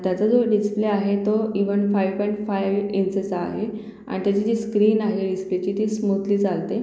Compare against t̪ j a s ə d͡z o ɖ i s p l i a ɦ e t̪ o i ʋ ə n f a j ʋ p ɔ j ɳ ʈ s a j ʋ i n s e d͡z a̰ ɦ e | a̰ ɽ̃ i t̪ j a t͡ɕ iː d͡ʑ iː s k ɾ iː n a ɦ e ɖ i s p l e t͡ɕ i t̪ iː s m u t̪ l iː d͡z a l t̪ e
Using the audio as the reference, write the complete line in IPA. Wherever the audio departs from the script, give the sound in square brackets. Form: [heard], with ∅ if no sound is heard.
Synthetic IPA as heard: t̪ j a [t͡s] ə d͡z o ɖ i s p l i a ɦ e t̪ o i ʋ ə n f a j ʋ p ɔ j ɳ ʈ [f] a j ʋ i n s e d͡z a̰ ɦ e | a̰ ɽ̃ i t̪ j a t͡ɕ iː d͡ʑ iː s k ɾ iː n a ɦ e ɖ i s p l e t͡ɕ i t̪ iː s m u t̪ l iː d͡z a l t̪ e

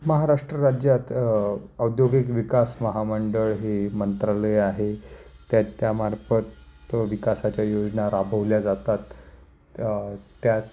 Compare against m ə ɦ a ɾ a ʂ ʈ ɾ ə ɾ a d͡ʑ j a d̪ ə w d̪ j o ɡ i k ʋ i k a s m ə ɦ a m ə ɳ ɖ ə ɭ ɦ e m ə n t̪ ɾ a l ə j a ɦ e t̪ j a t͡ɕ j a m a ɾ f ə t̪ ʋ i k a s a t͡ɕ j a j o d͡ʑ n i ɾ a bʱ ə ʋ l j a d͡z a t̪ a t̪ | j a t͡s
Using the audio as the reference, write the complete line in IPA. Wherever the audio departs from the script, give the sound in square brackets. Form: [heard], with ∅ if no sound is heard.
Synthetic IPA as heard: m ə ɦ a ɾ a ʂ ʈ ɾ ə ɾ a d͡ʑ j a [t̪] ə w d̪ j o ɡ i k ʋ i k a s m ə ɦ a m ə ɳ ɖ ə ɭ ɦ e m ə n t̪ ɾ a l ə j a ɦ e t̪ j a t͡ɕ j a m a ɾ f ə t̪ ʋ i k a s a t͡ɕ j a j o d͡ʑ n [a] ɾ a bʱ ə ʋ l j a d͡z a t̪ a t̪ | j a t͡s

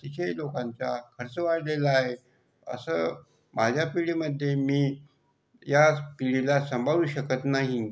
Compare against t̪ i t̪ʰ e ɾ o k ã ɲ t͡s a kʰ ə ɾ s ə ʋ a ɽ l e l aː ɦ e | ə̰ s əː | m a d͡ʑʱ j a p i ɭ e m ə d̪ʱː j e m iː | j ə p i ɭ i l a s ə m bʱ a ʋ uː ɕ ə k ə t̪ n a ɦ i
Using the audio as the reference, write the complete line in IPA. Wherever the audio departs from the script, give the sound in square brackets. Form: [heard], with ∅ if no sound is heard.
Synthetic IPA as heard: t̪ i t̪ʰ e [l] o k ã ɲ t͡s a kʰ ə ɾ [t͡s] ə ʋ a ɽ l e l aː ɦ e | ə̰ s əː | m a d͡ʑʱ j a p i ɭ [i] m ə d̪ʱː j e m iː | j [a] p i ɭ i l a s ə m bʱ a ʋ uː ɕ ə k ə t̪ n a ɦ i

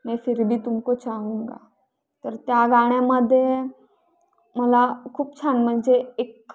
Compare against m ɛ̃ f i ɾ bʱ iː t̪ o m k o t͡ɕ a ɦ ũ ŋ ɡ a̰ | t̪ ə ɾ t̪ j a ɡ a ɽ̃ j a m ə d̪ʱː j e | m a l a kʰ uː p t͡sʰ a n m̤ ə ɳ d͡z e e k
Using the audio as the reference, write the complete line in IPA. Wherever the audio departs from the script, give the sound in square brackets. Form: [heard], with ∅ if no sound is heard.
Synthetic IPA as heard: m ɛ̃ f i ɾ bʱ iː t̪ [u] m k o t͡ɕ a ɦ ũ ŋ ɡ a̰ | t̪ ə ɾ t̪ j a ɡ a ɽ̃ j a m ə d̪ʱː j e | m [ə] l a kʰ uː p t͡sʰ a n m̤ ə ɳ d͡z e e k

